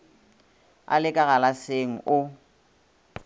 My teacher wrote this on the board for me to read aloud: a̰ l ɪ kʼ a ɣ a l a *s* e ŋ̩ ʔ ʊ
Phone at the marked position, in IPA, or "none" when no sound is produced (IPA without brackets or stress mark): s